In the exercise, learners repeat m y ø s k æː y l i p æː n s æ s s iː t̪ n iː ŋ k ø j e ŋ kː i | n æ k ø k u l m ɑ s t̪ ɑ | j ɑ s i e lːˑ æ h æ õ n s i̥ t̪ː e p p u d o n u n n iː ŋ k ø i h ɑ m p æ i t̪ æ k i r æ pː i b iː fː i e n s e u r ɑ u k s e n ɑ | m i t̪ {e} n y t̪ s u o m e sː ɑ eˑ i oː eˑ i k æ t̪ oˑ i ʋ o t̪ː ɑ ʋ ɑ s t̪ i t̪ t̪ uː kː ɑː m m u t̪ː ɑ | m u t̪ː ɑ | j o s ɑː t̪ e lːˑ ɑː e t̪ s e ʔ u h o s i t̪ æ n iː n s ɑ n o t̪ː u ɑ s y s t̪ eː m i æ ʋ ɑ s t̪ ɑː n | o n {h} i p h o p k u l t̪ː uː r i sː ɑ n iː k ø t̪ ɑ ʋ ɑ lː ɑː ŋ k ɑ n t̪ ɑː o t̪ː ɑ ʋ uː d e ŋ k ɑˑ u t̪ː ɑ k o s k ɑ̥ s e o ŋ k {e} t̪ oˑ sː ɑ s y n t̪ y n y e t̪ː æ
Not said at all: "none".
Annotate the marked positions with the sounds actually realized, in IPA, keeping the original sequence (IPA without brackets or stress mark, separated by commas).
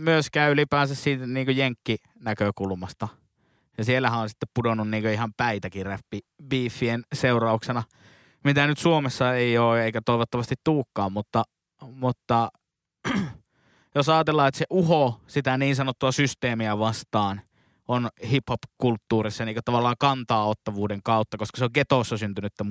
æ, h, e